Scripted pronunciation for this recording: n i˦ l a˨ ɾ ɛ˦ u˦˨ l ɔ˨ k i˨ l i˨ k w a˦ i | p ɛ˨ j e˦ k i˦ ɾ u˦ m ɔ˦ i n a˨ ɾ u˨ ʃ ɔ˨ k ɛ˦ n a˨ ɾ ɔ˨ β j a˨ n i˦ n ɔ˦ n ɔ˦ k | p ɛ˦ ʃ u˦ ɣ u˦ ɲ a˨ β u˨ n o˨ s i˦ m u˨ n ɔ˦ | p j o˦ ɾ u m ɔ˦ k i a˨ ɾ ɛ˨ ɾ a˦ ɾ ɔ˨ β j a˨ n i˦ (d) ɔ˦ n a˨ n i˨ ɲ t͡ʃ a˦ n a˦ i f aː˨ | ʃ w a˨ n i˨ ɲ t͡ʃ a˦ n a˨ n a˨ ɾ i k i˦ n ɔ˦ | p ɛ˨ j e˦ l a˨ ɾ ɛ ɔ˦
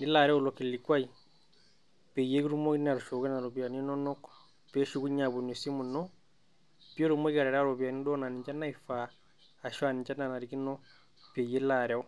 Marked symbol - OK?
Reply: yes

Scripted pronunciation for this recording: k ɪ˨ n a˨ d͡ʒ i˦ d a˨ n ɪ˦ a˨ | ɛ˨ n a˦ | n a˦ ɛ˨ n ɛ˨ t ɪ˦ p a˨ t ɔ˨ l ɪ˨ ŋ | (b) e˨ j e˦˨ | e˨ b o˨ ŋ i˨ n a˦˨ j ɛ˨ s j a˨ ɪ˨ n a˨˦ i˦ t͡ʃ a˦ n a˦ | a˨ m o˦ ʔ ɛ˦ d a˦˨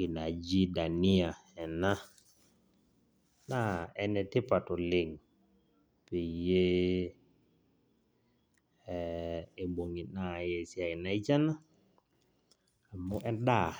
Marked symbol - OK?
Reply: no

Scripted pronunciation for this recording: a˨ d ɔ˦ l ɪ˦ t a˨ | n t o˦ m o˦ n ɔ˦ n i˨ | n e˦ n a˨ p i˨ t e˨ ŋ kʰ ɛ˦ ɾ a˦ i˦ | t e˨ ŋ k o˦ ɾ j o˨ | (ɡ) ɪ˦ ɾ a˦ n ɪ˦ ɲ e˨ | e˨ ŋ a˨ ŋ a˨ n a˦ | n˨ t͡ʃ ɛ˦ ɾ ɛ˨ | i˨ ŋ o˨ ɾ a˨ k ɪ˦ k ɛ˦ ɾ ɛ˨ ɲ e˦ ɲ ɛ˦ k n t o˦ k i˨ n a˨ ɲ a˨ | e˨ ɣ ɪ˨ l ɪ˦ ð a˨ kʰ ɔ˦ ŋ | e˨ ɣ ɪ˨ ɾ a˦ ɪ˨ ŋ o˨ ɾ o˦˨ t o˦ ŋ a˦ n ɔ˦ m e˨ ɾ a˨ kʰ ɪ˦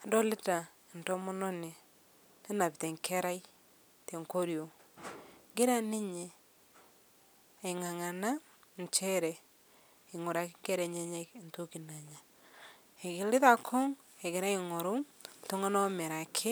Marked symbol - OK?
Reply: yes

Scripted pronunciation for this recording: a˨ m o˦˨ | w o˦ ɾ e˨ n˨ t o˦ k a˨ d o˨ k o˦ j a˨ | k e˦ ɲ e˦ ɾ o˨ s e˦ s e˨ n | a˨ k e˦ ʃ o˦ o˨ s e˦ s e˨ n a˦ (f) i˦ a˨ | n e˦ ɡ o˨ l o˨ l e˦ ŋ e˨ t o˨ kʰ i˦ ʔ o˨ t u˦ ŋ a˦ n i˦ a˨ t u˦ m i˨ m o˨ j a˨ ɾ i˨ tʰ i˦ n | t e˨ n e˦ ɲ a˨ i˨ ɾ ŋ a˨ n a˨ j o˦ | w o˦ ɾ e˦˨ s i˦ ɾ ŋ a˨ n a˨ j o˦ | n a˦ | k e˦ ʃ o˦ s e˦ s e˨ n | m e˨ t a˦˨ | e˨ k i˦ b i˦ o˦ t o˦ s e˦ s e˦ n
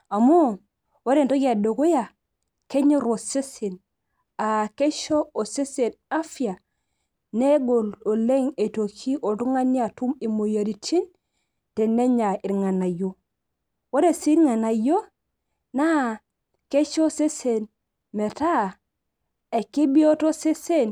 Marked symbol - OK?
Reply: yes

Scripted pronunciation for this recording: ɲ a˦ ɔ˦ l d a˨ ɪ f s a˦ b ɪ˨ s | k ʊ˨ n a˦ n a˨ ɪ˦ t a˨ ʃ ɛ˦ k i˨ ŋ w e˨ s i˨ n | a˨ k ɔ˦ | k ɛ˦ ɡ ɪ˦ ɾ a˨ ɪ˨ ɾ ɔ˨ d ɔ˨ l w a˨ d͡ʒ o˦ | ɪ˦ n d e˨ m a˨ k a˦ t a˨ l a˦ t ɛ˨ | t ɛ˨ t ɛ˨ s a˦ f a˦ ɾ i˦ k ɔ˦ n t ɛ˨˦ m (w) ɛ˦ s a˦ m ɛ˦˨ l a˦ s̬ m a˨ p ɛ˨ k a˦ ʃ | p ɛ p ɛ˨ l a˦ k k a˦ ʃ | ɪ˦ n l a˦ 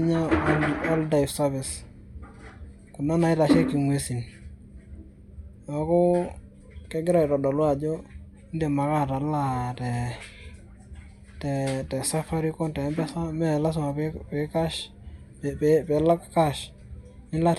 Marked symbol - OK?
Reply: no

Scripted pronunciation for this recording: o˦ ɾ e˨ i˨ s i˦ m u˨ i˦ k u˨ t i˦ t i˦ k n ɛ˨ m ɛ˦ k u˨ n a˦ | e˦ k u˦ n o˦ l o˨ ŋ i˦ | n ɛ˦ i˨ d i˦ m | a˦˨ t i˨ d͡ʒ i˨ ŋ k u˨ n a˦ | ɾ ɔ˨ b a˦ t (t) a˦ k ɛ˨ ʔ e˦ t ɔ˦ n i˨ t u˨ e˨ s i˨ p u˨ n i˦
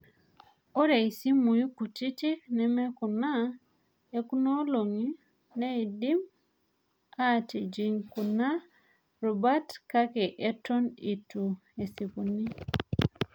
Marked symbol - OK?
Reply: no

